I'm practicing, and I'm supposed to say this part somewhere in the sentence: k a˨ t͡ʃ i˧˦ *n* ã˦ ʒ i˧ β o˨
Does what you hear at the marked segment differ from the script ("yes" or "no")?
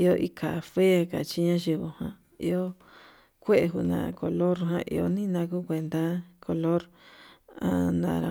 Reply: yes